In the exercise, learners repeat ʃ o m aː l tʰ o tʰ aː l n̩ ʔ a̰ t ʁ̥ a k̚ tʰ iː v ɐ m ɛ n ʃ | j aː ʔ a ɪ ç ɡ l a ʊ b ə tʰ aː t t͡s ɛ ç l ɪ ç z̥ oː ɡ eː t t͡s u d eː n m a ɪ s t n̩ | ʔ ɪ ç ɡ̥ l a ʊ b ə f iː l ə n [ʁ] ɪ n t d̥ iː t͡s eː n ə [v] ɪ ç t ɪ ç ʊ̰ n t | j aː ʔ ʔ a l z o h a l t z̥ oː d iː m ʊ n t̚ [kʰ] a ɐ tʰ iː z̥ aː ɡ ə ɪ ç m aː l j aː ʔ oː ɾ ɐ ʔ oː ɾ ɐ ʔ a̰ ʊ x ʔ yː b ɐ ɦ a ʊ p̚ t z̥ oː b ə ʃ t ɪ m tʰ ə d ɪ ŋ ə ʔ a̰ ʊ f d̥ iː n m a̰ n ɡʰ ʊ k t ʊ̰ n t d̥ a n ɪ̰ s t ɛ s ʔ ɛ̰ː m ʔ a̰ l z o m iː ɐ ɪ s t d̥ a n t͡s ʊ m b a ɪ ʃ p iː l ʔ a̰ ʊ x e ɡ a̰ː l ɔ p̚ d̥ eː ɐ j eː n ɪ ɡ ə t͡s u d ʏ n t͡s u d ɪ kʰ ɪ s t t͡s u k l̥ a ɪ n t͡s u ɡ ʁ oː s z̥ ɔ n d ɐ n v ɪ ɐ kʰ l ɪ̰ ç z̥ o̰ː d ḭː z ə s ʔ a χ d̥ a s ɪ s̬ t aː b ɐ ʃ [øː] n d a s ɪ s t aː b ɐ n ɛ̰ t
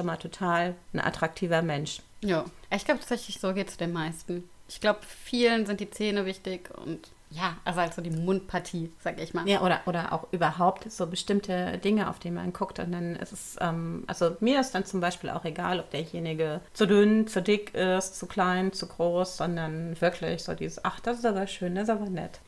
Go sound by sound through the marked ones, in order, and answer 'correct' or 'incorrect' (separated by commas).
incorrect, correct, incorrect, correct